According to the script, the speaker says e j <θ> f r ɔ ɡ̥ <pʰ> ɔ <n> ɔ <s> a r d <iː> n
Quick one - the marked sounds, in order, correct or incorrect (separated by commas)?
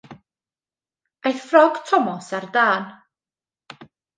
correct, incorrect, incorrect, correct, incorrect